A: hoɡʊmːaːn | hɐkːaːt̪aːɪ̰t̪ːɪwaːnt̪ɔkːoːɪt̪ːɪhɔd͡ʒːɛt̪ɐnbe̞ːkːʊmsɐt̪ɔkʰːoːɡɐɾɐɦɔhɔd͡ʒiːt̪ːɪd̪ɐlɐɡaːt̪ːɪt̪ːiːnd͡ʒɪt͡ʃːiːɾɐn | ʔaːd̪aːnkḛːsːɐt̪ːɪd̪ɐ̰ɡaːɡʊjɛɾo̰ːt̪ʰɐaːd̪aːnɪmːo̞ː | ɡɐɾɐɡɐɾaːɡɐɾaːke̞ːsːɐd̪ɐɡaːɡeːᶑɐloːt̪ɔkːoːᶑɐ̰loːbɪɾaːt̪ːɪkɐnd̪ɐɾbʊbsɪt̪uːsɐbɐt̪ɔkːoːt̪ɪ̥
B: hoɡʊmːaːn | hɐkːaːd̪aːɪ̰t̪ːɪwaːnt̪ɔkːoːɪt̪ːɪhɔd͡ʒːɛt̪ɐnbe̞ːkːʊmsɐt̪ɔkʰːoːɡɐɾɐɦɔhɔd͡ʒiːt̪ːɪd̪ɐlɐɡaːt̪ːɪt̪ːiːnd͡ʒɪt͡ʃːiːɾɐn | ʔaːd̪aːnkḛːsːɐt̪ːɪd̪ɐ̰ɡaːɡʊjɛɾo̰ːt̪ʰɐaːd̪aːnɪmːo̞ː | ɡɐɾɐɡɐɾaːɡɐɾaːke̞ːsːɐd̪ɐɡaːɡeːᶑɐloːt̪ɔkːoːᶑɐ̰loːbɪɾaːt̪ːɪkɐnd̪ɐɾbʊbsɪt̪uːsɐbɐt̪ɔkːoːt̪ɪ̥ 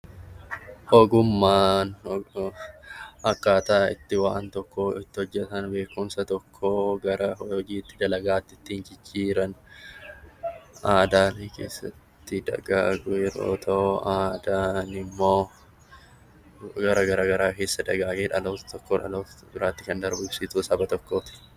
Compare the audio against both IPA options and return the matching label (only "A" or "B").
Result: A